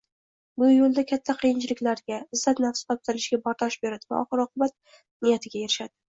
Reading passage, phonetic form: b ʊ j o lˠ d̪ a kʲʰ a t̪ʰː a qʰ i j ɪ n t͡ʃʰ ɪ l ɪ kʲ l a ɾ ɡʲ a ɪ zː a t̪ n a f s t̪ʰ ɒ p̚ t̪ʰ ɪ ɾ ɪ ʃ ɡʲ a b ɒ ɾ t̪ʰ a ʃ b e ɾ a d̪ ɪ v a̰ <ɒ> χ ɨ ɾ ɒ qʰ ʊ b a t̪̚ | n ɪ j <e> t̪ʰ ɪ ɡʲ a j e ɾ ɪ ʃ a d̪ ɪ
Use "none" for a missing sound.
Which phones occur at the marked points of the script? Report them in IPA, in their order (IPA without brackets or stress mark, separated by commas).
ɒ, a